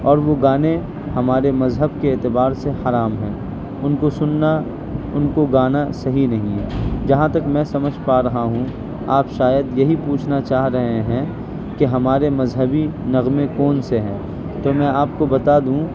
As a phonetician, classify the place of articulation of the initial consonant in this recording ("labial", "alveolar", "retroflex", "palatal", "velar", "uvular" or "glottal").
alveolar